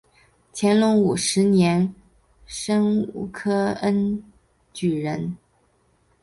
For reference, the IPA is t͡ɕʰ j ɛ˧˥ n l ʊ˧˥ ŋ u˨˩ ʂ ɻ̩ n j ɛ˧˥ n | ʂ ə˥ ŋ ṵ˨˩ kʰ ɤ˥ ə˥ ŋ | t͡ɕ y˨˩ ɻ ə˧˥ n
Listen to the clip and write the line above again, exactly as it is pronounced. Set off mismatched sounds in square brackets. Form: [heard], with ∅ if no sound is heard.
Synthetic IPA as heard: t͡ɕʰ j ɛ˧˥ n l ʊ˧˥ ŋ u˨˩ ʂ ɻ̩ n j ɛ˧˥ n | ʂ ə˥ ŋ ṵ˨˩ kʰ ɤ˥ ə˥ [n] | t͡ɕ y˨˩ ɻ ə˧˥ n